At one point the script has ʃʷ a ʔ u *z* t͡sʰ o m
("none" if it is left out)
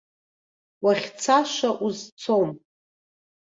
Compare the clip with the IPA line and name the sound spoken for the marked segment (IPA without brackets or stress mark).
z